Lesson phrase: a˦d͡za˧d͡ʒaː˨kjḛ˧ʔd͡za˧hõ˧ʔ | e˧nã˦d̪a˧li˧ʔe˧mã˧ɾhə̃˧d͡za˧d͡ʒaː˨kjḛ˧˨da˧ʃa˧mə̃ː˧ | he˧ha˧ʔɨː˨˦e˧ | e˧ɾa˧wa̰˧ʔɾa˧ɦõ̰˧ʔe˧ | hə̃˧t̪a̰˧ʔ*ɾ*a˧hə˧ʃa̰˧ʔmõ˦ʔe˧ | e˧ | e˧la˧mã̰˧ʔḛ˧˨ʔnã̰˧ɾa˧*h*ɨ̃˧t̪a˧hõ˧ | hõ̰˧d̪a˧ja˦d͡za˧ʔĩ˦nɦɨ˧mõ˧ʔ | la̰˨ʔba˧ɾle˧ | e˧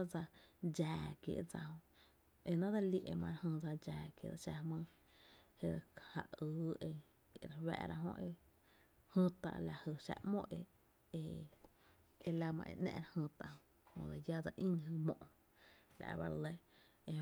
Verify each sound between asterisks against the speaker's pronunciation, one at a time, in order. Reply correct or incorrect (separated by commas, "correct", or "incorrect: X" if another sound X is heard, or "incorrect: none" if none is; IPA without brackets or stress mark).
incorrect: l, correct